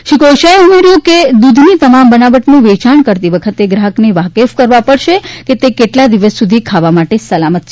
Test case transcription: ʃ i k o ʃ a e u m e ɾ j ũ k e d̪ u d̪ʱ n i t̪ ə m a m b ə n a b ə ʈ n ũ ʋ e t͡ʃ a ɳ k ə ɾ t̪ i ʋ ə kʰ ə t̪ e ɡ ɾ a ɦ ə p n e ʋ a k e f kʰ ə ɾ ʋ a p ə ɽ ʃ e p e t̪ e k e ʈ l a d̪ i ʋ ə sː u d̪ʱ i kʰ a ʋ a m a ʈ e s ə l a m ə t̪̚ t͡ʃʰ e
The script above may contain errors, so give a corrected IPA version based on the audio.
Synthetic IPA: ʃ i k o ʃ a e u m e ɾ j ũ k e d̪ u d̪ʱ n i t̪ ə m a m b ə n a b ə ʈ n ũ ʋ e t͡ʃ a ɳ k ə ɾ t̪ i ʋ ə kʰ ə t̪ e ɡ ɾ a ɦ ə k n e ʋ a k e f k ə ɾ ʋ a p ə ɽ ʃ e k e t̪ e k e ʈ l a d̪ i ʋ ə sː u d̪ʱ i kʰ a ʋ a m a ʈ e s ə l a m ə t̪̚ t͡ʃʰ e